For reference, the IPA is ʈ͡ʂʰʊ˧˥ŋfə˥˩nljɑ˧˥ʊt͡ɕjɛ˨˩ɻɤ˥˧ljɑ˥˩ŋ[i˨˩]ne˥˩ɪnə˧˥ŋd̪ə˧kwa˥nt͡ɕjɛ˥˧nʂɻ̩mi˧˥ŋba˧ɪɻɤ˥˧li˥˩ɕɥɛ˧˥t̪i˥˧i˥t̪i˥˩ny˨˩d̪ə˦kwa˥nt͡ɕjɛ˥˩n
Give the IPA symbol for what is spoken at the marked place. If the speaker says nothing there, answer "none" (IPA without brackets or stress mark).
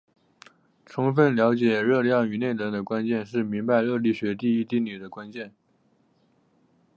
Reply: y˨˩